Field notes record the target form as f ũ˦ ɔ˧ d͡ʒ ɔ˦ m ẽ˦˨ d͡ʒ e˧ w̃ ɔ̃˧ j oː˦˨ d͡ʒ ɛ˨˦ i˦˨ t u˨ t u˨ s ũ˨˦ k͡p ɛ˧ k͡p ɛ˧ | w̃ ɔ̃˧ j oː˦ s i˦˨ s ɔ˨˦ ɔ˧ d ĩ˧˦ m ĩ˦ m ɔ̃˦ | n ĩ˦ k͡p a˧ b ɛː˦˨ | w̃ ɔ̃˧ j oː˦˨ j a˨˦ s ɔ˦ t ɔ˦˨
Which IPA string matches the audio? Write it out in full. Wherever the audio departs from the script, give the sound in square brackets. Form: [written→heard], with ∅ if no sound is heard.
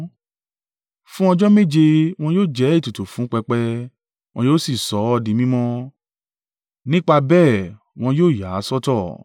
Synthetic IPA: f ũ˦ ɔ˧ d͡ʒ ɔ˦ m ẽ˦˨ d͡ʒ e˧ w̃ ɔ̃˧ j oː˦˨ d͡ʒ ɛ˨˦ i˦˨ t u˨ t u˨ [s→f] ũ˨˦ k͡p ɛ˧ k͡p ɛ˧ | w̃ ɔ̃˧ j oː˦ s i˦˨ s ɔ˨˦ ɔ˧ d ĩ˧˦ m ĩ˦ m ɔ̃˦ | n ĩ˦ k͡p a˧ b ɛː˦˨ | w̃ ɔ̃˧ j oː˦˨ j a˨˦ s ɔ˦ t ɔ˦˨